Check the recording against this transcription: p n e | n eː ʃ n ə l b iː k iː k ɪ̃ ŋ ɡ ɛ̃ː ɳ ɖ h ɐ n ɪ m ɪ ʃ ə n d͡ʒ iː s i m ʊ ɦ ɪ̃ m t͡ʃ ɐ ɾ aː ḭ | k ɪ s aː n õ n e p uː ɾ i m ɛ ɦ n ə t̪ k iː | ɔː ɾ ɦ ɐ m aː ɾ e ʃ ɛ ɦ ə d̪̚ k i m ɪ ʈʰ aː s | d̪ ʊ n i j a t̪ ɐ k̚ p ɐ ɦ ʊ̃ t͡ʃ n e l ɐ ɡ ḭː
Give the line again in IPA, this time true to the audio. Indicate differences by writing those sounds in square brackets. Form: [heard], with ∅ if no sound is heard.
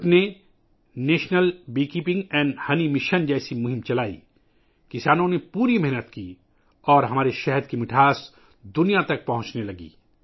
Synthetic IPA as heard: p n e | n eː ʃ n ə l b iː k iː [p] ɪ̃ ŋ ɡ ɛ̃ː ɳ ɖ h ɐ n [i] m ɪ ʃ ə n d͡ʒ [ɛː] s i m ʊ ɦ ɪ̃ m t͡ʃ ɐ [l] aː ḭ | k ɪ s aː n õ n e p uː ɾ i m ɛ ɦ n ə t̪ k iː | ɔː ɾ ɦ ɐ m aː ɾ e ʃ ɛ ɦ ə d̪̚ k i m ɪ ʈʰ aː s | d̪ ʊ n i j a t̪ ɐ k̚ p ɐ ɦ ʊ̃ t͡ʃ n e l ɐ ɡ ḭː